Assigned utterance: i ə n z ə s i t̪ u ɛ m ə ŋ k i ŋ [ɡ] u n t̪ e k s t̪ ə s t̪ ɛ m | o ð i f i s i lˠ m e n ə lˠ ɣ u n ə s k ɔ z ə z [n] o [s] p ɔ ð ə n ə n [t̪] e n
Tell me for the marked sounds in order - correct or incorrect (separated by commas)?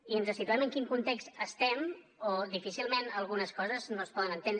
incorrect, correct, correct, correct